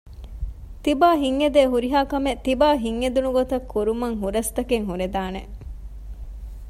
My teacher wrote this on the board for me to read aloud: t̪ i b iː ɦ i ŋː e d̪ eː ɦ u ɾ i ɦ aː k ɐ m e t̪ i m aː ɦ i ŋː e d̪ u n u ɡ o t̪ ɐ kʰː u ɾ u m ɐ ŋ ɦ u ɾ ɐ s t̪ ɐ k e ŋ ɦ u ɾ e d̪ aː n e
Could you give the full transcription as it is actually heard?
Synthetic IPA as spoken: t̪ i b aː ɦ i ŋː e d̪ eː ɦ u ɾ i ɦ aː k ɐ m e t̪ i b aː ɦ i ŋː e d̪ u n u ɡ o t̪ ɐ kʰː u ɾ u m ɐ ŋ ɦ u ɾ ɐ s t̪ ɐ k e ŋ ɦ u ɾ e d̪ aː n e